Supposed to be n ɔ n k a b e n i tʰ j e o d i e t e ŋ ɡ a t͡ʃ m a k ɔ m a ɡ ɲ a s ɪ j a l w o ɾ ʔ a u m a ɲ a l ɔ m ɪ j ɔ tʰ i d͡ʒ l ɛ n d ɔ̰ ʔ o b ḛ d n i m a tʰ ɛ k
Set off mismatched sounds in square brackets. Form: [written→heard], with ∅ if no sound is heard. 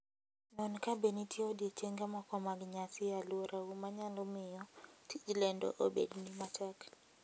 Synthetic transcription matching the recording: n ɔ n k a b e n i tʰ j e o d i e [t→t͡ʃ] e ŋ ɡ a [t͡ʃ→∅] m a k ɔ m a ɡ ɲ a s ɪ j a l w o ɾ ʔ a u m a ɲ a l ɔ m ɪ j ɔ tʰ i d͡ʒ l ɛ n d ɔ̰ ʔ o b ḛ d n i m a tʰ ɛ k